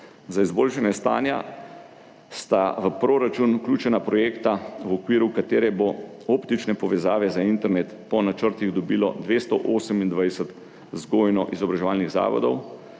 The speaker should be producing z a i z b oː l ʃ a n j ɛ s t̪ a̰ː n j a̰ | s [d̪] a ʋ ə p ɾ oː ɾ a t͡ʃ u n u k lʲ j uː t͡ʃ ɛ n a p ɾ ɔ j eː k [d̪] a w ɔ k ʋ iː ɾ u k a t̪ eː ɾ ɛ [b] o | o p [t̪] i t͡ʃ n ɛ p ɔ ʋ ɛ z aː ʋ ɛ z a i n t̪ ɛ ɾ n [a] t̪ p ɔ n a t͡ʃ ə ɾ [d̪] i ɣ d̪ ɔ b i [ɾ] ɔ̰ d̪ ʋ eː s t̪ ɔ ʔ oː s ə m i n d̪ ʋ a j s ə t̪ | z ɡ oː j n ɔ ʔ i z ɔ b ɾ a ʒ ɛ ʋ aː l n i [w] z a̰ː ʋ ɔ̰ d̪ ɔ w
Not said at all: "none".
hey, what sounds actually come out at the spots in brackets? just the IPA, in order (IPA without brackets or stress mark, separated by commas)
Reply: t̪, t̪, b, t̪, e, t̪, l, ɣ